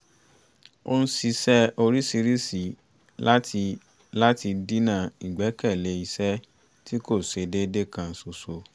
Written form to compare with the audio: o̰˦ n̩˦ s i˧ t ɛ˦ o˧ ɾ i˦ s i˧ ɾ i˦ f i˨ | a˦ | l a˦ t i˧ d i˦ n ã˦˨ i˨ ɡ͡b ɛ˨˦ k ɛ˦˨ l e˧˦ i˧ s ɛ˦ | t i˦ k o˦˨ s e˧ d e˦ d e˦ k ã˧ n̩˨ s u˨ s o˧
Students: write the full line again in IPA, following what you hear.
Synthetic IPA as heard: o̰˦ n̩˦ s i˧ s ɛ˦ o˧ ɾ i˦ s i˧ ɾ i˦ s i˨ | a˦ | l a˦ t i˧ d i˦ n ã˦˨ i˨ ɡ͡b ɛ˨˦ k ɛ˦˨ l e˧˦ i˧ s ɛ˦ | t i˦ k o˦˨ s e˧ d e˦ d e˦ k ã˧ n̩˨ s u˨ s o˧